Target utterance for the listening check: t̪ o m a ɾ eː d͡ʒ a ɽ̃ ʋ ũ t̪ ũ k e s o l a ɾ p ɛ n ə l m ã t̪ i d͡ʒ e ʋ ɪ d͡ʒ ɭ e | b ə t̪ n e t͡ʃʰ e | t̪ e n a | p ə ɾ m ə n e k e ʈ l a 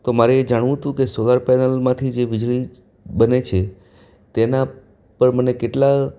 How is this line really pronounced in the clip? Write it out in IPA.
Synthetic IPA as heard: t̪ o m a ɾ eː d͡ʒ a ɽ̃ ʋ ũ t̪ ũ k e s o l a ɾ p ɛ n ə l m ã t̪ʰ i d͡ʒ e ʋ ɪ d͡ʒ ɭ i | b ə n e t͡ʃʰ e | t̪ e n a | p ə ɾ m ə n e k e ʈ l a